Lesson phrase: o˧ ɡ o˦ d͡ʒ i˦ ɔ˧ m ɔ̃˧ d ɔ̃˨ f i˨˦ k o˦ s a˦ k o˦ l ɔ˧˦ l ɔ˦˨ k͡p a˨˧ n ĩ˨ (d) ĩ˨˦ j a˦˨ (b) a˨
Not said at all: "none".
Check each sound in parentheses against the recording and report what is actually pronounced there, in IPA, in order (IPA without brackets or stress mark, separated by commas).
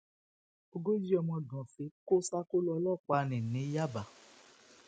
n, b